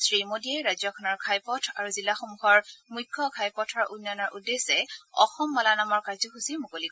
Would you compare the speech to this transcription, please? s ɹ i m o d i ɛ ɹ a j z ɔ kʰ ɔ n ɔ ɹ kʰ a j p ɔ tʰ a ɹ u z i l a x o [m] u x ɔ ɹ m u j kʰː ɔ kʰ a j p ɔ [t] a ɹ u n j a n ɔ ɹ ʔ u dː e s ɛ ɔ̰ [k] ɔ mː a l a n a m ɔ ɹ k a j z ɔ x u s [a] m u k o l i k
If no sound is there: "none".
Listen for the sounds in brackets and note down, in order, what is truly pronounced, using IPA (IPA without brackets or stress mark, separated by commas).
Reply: m, tʰ, x, i